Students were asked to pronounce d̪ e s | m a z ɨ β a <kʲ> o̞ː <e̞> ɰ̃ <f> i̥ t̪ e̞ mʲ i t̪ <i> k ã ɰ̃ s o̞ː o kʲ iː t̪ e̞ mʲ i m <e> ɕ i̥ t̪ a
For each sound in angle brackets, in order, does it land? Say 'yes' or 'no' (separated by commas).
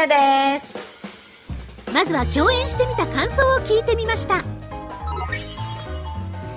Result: yes, no, no, no, no